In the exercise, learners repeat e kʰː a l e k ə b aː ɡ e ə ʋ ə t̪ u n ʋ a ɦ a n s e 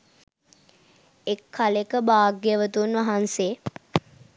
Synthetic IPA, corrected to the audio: e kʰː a l e k ə b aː ɡ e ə ʋ ə t̪ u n ʋ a ɦ a n s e